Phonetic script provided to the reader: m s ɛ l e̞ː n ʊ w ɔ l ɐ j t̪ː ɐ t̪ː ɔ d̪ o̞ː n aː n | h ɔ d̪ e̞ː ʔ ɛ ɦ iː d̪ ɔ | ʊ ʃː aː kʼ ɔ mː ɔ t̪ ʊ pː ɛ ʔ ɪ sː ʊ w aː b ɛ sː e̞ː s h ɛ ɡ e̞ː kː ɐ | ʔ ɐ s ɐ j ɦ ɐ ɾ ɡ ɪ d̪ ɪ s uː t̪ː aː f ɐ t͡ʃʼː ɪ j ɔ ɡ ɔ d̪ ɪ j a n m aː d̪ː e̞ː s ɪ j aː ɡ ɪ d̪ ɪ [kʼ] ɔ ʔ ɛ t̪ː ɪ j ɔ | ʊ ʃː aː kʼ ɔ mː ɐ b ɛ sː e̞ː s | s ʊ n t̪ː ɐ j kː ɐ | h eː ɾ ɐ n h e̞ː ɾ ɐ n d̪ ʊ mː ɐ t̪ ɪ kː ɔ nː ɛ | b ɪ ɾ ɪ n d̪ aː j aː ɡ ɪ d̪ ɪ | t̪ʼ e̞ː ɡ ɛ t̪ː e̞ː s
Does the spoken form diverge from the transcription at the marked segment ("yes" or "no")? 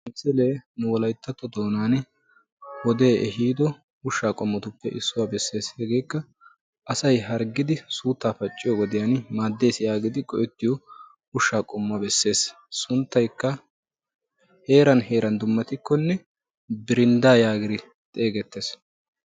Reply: no